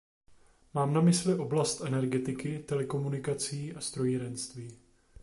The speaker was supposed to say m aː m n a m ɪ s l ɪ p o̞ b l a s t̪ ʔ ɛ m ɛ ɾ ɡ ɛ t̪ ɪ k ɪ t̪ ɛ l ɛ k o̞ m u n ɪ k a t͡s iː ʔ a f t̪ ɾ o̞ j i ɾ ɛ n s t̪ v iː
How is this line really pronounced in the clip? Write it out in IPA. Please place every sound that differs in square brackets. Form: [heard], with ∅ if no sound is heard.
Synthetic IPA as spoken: m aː m n a m ɪ s l ɪ [ʔ] o̞ b l a s t̪ ʔ ɛ [n] ɛ ɾ ɡ ɛ t̪ ɪ k ɪ t̪ ɛ l ɛ k o̞ m u n ɪ k a t͡s iː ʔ a [s] t̪ ɾ o̞ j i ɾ ɛ n s t̪ v iː